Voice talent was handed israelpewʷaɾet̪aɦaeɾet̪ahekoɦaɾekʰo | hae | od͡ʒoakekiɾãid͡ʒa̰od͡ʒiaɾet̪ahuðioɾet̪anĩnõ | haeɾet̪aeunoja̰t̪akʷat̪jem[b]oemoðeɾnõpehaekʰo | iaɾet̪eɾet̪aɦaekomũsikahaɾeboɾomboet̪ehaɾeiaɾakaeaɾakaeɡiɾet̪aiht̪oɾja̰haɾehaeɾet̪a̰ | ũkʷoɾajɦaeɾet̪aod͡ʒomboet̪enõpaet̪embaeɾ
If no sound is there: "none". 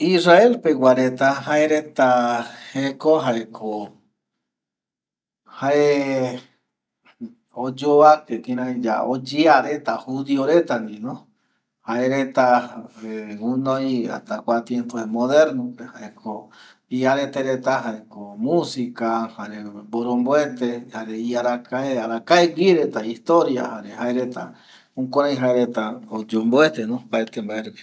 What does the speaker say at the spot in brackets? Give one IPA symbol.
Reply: p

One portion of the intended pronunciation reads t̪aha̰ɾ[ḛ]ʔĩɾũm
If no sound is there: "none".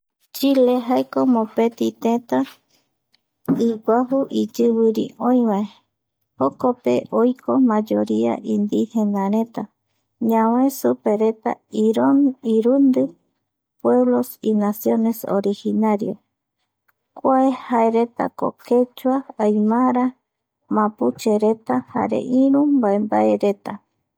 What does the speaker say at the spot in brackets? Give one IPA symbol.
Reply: ḛ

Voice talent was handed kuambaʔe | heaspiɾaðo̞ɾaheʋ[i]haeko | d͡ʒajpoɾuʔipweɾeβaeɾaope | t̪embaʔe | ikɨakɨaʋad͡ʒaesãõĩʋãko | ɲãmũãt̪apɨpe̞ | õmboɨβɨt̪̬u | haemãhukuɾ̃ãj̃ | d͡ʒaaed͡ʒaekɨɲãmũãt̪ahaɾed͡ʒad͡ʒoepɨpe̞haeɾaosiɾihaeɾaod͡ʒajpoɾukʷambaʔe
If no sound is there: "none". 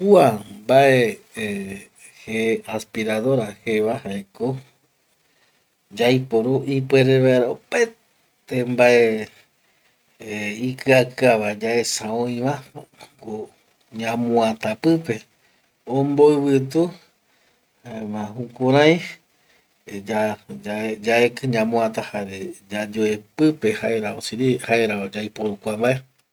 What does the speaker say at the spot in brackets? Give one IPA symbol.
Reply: a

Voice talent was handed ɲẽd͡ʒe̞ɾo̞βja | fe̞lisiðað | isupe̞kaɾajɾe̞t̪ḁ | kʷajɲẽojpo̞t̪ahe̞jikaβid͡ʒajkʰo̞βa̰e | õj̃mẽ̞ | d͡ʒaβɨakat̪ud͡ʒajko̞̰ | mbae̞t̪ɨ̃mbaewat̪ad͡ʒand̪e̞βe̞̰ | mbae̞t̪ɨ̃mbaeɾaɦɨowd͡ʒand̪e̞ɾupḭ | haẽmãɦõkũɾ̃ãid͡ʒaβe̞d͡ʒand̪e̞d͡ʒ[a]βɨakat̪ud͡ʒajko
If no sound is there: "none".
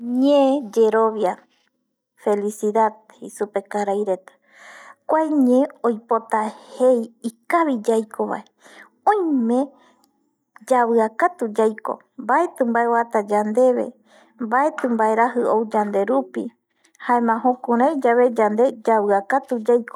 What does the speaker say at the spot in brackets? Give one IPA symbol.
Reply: a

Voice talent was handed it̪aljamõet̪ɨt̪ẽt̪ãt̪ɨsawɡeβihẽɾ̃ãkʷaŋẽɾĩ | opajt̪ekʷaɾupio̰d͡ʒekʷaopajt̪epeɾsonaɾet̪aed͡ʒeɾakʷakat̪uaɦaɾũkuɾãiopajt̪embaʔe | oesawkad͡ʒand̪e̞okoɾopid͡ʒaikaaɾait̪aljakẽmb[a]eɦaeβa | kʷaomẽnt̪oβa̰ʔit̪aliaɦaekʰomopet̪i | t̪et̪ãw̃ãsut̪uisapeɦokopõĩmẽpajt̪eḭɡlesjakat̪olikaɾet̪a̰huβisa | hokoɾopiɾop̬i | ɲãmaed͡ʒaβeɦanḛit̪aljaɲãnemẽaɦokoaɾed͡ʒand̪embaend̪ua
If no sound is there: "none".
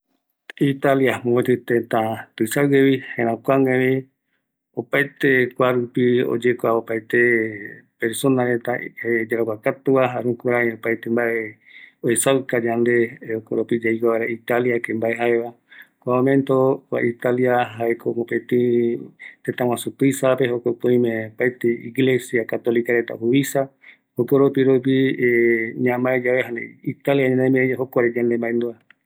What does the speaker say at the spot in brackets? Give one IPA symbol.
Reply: a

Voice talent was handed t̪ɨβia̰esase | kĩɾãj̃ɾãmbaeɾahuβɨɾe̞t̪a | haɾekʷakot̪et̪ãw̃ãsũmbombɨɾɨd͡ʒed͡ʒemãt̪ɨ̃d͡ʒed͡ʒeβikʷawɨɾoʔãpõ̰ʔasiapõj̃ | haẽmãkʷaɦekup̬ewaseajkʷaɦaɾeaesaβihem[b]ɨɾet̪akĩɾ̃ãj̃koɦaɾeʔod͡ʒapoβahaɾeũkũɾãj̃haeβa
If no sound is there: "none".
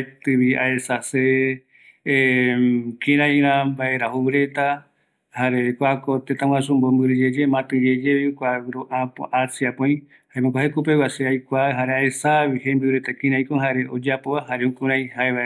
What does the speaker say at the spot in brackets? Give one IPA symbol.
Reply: b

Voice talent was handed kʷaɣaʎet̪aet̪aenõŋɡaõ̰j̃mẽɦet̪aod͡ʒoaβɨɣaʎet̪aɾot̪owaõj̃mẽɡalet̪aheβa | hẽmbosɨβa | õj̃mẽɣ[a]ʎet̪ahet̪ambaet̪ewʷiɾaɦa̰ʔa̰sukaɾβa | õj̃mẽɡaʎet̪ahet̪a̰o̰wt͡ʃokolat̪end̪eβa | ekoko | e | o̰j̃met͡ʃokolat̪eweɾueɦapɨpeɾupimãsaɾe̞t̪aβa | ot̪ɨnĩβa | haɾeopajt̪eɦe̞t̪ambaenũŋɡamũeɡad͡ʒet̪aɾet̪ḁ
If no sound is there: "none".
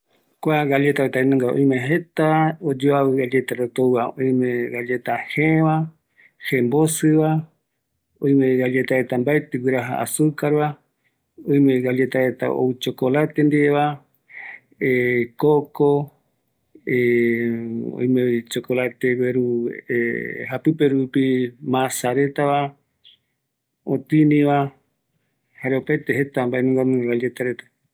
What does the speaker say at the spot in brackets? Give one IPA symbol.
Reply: a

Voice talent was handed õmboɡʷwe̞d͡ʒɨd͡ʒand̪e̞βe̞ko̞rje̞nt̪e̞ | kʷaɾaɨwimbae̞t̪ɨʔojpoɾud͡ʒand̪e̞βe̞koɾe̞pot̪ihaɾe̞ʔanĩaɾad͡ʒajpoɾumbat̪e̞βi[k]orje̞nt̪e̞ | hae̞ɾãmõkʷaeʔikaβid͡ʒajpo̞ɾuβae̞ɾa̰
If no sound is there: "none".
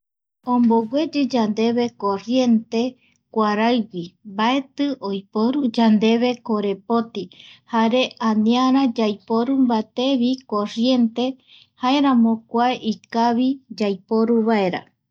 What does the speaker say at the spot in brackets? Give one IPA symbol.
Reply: k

